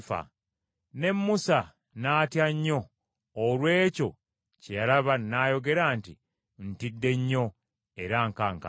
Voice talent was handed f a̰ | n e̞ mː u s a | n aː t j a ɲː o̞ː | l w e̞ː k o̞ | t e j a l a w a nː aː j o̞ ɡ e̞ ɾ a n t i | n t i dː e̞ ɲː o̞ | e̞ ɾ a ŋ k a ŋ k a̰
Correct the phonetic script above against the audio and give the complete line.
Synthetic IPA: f a̰ | n e̞ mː u s a | n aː t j a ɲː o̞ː | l w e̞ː c o̞ | c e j a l a β a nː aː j o̞ ɡ e̞ ɾ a n t i | n t i dː e̞ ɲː o̞ | e̞ ɾ a ŋ k a ŋ k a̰